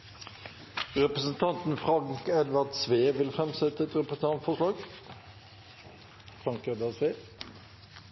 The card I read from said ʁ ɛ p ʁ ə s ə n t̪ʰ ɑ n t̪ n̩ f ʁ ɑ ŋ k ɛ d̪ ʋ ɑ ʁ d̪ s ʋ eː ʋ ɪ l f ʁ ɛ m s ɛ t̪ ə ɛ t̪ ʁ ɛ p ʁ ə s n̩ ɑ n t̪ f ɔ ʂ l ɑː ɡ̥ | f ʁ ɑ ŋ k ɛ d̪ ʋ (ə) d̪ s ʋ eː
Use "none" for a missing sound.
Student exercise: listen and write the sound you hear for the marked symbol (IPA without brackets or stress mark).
ɑ